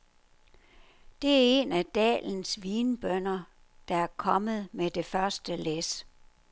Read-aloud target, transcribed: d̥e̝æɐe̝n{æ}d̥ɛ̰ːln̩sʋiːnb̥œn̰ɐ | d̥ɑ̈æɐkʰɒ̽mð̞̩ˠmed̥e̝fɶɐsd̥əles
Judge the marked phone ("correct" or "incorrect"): correct